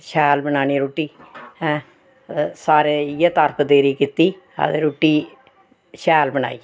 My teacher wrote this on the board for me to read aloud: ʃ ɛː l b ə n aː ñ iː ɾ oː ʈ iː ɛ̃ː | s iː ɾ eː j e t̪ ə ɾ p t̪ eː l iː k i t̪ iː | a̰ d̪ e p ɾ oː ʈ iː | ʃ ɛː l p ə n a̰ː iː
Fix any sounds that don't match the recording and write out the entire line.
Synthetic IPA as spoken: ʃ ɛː l b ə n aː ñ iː ɾ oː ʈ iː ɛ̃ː | s aː ɾ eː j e t̪ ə ɾ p d̪ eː ɾ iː k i t̪ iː | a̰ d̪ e ɾ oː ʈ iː | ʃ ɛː l b ə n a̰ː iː